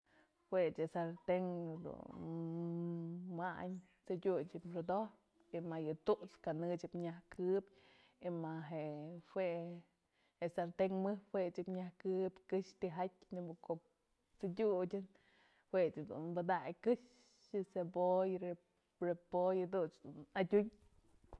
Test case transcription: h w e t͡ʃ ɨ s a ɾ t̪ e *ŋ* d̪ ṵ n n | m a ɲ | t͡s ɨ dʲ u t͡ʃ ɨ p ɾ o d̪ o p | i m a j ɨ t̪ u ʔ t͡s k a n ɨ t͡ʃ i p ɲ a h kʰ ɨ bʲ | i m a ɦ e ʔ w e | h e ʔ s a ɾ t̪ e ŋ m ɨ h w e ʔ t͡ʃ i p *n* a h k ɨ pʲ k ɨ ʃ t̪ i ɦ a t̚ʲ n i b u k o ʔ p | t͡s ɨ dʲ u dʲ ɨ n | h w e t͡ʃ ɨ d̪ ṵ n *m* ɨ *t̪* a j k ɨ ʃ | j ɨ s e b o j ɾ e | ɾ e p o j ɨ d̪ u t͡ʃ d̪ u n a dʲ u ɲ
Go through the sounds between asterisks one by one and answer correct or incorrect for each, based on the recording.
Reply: correct, incorrect: ɲ, incorrect: b, incorrect: d̪

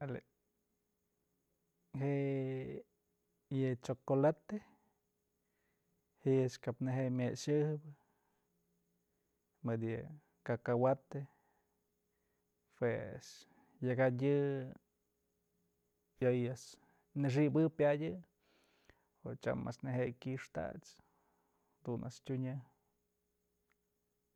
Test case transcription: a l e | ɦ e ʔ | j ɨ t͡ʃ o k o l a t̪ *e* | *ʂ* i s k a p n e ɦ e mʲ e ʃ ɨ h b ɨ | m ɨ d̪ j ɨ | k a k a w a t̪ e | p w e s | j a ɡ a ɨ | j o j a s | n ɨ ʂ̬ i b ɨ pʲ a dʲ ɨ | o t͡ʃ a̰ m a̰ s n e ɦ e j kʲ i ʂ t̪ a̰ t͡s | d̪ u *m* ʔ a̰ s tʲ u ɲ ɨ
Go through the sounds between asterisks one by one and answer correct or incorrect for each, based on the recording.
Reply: correct, incorrect: h, incorrect: n

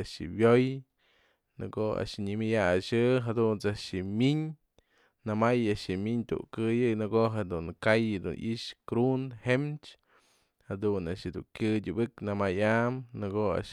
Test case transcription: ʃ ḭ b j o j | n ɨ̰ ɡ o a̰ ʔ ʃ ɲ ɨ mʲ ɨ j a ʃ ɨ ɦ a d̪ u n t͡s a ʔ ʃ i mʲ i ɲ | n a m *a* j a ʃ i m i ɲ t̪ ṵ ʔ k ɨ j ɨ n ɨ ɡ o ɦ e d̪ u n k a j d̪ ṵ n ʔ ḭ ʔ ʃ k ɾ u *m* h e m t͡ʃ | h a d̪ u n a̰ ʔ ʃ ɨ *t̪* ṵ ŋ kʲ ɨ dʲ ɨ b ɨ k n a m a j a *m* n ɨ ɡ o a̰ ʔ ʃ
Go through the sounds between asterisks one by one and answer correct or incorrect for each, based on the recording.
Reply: correct, incorrect: n, incorrect: d̪, correct

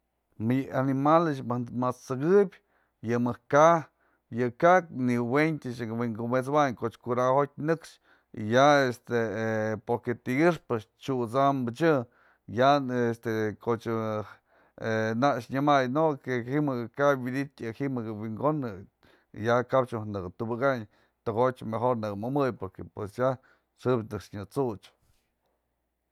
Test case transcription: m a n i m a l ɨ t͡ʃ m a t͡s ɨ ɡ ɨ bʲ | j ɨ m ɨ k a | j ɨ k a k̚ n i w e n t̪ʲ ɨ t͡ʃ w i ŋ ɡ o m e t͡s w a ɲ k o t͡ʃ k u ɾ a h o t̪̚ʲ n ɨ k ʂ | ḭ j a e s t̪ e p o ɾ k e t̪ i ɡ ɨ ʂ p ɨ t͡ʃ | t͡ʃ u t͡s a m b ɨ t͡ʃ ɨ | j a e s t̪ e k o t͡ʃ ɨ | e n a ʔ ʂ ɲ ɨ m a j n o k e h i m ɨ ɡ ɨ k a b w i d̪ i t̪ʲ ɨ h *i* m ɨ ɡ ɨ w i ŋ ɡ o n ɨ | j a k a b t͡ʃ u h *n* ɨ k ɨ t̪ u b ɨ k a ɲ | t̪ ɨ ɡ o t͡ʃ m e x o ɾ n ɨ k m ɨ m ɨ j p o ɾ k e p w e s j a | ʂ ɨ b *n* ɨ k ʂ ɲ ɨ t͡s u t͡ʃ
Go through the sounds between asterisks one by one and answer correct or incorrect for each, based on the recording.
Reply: correct, correct, correct

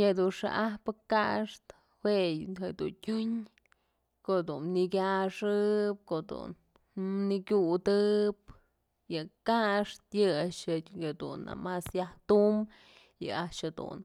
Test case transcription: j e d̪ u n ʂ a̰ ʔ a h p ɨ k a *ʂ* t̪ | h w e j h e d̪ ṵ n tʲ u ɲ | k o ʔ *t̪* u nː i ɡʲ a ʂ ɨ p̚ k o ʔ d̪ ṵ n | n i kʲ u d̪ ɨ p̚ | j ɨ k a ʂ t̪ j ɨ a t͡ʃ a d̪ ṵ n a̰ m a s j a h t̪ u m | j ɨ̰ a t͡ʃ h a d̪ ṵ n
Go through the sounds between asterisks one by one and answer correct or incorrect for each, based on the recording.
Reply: correct, incorrect: d̪

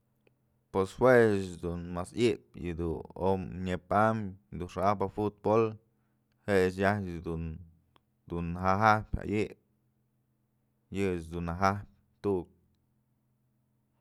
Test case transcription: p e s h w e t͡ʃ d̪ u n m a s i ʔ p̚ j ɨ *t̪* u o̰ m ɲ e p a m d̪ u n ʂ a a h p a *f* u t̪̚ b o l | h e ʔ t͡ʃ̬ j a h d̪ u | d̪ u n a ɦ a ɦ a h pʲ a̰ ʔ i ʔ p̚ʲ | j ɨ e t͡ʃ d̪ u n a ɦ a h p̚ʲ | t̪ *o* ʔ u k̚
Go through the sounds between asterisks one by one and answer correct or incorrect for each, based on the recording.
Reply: incorrect: d̪, correct, incorrect: u

